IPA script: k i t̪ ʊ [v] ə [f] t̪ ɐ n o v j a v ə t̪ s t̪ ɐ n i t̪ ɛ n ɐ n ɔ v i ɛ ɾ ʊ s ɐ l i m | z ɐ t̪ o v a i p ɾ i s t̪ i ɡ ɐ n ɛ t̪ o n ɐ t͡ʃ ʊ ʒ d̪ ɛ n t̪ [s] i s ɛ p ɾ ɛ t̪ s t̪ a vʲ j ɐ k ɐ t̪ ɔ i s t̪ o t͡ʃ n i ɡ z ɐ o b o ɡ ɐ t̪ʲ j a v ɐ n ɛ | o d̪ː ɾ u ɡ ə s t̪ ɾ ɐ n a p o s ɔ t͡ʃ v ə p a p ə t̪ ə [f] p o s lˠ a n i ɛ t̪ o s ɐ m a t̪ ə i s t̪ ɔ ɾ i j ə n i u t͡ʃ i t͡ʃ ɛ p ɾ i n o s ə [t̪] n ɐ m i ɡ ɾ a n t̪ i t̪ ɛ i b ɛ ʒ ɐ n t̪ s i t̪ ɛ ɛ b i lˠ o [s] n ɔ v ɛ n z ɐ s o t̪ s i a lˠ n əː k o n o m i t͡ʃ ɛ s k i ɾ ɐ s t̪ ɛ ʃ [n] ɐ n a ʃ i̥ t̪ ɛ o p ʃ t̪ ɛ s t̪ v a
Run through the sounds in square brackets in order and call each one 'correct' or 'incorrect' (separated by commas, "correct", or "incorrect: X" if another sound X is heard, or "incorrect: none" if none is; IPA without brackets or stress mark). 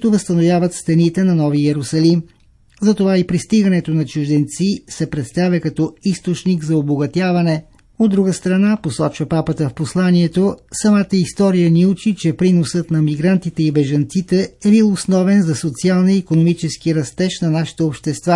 correct, incorrect: s, correct, correct, correct, correct, correct